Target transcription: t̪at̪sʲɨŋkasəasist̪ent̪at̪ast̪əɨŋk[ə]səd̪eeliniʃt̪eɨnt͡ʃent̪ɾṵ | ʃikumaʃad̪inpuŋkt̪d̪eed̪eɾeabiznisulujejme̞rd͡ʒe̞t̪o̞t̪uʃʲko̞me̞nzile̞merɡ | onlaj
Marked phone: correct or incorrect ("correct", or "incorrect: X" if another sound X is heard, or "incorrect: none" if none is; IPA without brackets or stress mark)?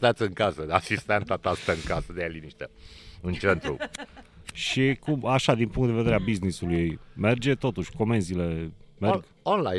incorrect: a